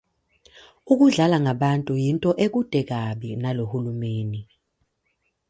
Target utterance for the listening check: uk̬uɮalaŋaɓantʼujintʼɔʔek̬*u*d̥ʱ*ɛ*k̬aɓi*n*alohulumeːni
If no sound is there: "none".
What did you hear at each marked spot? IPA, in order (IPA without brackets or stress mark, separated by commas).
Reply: u, ɛ, n